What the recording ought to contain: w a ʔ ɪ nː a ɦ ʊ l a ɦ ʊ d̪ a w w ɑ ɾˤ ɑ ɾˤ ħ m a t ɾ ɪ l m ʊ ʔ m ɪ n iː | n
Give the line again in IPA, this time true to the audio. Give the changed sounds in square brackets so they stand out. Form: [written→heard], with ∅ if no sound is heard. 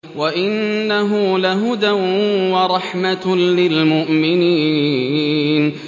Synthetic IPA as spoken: w a ʔ ɪ nː a ɦ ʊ l a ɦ ʊ d̪ a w w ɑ ɾˤ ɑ [ɾˤ→∅] ħ m a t [ɾ→l] ɪ l m ʊ ʔ m ɪ n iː | n